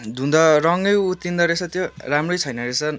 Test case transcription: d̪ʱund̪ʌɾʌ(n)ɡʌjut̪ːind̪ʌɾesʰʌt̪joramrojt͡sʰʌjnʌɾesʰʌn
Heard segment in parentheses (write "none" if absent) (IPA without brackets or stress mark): ŋ